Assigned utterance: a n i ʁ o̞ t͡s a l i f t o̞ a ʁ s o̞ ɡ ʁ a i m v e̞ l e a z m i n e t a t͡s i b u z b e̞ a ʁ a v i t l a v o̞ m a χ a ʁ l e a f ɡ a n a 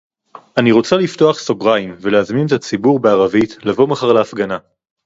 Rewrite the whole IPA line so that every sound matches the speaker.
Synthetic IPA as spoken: a n i ʁ o̞ t͡s a l i f t o̞ a χ s o̞ ɡ ʁ a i m v e̞ l e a z m i n e t a t͡s i b u ʁ b e̞ a ʁ a v i t l a v o̞ m a χ a ʁ l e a f ɡ a n a